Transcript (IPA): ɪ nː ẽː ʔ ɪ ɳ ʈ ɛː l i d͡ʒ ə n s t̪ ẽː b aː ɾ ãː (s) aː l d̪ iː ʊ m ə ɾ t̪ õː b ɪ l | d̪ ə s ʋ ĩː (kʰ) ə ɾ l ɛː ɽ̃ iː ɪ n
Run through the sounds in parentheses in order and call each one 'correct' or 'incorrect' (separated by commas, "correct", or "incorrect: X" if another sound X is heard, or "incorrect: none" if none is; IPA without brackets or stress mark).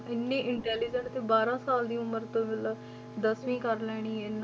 correct, incorrect: k